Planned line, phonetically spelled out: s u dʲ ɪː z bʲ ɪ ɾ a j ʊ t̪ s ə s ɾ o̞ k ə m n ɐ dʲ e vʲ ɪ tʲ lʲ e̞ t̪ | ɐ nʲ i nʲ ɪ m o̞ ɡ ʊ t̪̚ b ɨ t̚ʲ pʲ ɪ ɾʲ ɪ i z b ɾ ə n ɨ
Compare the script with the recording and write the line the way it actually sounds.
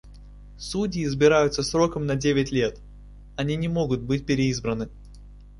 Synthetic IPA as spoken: s u dʲ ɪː z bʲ ɪ ɾ a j ʊ t̪ s ə s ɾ o̞ k ə m n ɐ dʲ e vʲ ɪ tʲ lʲ e̞ t̪ | ɐ nʲ i nʲ ɪ m o̞ ɡ ʊ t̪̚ b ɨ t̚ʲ pʲ ɪ ɾʲ ɪ i z b ɾ ə n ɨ